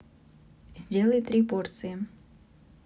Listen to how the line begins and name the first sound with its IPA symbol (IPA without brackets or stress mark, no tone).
zʲ